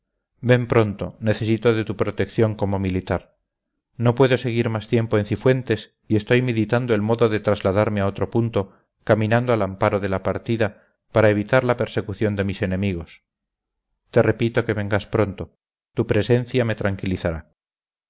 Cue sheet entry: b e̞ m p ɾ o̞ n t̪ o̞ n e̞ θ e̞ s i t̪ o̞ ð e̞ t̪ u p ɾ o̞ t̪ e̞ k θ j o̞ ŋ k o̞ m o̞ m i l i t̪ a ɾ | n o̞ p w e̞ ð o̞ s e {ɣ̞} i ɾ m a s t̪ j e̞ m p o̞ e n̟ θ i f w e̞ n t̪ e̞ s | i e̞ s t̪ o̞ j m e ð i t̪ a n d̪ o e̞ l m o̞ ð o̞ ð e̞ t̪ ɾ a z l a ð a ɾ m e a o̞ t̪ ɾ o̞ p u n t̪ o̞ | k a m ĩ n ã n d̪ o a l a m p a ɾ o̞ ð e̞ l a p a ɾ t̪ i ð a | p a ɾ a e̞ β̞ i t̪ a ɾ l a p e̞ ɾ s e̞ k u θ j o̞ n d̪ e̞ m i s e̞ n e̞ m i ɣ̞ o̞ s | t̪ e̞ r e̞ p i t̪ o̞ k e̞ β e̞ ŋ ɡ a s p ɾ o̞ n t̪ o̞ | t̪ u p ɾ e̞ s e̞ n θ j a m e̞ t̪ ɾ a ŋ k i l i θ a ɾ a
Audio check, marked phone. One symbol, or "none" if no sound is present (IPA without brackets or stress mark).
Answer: ɣ̞